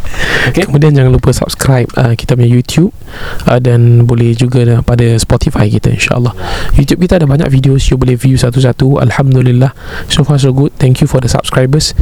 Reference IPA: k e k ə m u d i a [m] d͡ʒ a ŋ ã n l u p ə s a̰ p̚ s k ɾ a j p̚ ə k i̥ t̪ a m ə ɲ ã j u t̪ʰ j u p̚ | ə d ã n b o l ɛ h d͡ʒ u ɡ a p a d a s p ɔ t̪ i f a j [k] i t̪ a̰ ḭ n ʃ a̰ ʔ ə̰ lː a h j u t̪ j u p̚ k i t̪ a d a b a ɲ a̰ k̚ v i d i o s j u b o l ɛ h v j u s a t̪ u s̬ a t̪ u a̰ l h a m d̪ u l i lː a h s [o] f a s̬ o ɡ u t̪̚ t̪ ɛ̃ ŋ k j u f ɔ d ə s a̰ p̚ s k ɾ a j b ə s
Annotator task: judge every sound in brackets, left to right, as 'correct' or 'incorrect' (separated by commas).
incorrect, correct, correct